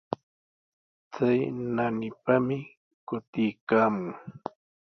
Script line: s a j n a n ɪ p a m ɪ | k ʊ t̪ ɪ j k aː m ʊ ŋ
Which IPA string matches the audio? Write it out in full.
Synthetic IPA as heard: t͡s a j n a n ɪ p a m ɪ | k ʊ t̪ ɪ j k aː m ʊ ŋ

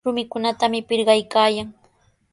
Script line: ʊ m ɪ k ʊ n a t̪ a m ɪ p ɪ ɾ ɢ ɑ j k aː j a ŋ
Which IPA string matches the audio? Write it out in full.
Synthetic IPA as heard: ʊ m ɪ k ʊ n a t̪ a m ɪ p ɪ ɾ ɢ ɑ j k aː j a ŋ

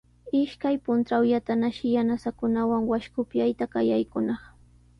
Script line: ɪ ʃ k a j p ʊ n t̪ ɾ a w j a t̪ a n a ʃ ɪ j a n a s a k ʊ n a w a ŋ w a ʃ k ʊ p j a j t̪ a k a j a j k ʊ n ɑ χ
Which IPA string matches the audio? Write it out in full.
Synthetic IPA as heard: ɪ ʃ k a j p ʊ n t̪ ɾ a w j a t̪ a n a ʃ ɪ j a n a s a k ʊ n a w a ŋ w a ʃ k ʊ p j a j t̪ a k a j a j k ʊ n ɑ χ

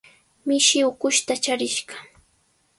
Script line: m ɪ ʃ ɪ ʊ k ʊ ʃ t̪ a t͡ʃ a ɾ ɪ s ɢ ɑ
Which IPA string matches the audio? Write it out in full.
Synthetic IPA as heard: m ɪ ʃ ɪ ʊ k ʊ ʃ t̪ a t͡ʃ a ɾ ɪ ʃ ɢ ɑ

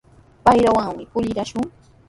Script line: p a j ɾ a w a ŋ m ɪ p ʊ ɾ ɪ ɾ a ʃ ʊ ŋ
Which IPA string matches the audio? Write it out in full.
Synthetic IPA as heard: p a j ɾ a w a ŋ m ɪ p ʊ ʎ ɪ ɾ a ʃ ʊ ŋ

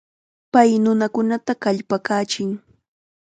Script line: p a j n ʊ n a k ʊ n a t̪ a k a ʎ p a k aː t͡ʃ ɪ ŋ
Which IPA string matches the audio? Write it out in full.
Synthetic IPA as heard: p a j n ʊ n a k ʊ n a t̪ a k a ʎ p a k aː t͡ʃ ɪ ŋ

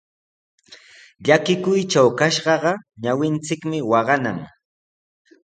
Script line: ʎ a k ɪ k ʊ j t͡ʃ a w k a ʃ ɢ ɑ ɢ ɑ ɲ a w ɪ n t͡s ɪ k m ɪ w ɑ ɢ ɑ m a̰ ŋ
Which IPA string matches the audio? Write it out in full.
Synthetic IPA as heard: ʎ a k ɪ k ʊ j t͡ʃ a w k a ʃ ɢ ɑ ɢ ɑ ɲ a w ɪ n t͡s ɪ k m ɪ w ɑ ɢ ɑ n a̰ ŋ

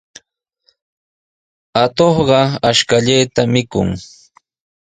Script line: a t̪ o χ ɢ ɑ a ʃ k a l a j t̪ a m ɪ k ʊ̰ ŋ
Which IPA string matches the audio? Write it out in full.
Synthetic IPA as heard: a t̪ o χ ɢ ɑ a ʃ k a ʎ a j t̪ a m ɪ k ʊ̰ ŋ

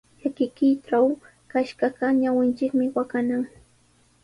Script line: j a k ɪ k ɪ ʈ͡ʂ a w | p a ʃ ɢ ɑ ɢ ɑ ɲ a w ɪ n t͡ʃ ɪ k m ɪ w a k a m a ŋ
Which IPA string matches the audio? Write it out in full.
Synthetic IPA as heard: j a k ɪ k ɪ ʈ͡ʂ a w | k a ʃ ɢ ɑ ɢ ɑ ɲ a w ɪ n t͡ʃ ɪ k m ɪ w a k a n a ŋ

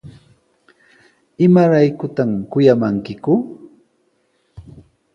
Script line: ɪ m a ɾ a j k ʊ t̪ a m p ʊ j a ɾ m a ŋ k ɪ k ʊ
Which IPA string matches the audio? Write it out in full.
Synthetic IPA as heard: ɪ m a ɾ a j k ʊ t̪ a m k ʊ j a m a ŋ k ɪ k ʊ

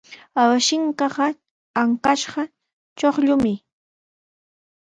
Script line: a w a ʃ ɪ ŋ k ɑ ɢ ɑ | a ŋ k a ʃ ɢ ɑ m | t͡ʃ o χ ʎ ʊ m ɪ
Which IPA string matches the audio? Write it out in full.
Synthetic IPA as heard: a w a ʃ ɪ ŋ k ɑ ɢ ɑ | a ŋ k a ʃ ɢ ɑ | t͡ʃ o χ ʎ ʊ m ɪ

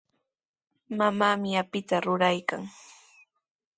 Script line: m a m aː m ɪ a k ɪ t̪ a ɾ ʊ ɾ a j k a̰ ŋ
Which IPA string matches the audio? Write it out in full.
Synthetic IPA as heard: m a m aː m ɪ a p ɪ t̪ a ɾ ʊ ɾ a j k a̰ ŋ

